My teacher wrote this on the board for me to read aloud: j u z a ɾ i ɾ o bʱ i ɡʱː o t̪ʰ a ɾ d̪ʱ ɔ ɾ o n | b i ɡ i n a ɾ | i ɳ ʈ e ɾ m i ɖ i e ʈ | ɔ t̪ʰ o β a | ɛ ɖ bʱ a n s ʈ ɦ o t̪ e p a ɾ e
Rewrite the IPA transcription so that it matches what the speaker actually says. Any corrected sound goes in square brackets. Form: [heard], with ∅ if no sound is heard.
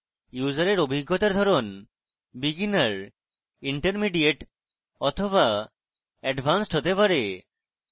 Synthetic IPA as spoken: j u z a ɾ [e] ɾ o bʱ i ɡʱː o [t̪] a ɾ d̪ʱ ɔ ɾ o n | b i ɡ i n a ɾ | i ɳ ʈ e ɾ m i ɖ i e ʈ | ɔ t̪ʰ o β a | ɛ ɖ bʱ a n s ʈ ɦ o t̪ e p a ɾ e